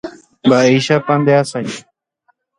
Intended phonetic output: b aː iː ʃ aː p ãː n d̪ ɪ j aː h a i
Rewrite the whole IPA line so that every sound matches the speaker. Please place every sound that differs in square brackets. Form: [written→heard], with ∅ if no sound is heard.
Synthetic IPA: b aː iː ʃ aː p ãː n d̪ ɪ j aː [h→s] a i